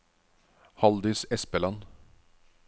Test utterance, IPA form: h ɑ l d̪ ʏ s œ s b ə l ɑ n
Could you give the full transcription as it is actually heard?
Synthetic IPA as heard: h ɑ l d̪ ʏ s ɛ s p ə l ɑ n